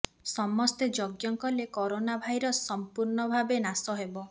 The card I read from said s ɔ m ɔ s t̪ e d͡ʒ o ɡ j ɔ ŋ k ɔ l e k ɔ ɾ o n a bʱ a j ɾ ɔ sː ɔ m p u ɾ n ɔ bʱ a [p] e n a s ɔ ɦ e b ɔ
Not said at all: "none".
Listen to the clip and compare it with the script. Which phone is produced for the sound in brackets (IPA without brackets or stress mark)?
b